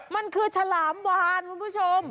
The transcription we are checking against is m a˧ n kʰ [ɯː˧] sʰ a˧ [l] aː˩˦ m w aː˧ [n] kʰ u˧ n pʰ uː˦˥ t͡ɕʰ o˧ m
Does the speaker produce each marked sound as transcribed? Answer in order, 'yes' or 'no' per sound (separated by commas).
yes, yes, yes